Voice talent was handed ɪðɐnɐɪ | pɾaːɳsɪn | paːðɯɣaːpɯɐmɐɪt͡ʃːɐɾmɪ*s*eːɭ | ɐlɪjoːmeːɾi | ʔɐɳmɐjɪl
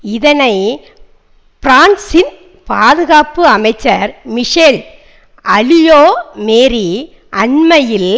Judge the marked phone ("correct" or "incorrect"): incorrect